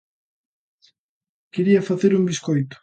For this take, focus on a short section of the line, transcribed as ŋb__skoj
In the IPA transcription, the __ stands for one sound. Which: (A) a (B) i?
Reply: B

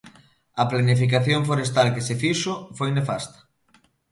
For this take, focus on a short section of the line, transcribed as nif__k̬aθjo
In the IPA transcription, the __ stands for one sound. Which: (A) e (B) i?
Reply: B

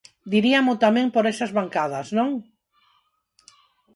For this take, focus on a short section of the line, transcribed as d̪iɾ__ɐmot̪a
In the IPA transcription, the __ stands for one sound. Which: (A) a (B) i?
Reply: B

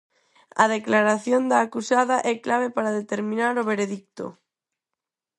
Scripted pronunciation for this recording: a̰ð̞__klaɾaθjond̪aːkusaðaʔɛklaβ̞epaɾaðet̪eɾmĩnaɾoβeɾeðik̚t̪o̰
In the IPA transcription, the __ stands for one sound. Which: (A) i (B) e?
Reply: B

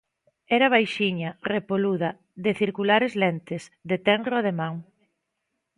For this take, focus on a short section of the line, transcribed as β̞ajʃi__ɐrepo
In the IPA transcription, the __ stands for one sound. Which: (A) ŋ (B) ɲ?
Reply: B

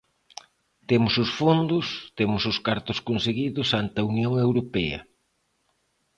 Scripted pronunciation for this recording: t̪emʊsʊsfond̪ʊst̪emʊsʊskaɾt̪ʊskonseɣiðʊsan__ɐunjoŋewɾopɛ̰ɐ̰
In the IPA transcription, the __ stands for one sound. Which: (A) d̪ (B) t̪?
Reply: B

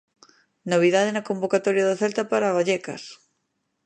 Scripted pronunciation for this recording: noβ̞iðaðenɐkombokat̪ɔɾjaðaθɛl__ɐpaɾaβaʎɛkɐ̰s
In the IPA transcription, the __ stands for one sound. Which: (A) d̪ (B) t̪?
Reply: B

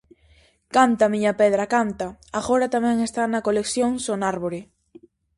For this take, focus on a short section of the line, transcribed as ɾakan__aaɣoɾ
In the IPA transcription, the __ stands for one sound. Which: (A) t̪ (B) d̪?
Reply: A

